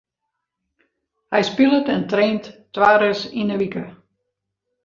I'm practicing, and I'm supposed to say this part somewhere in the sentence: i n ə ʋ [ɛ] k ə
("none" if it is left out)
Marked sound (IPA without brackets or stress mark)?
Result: i